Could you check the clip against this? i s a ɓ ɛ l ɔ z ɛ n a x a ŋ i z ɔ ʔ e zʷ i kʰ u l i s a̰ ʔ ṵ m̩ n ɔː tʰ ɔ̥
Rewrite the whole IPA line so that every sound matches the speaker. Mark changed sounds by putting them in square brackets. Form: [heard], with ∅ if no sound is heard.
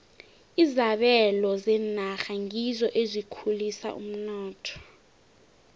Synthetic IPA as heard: i [z] a ɓ ɛ l ɔ z ɛ n a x a ŋ i z ɔ ʔ e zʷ i kʰ u l i s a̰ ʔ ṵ m̩ n ɔː tʰ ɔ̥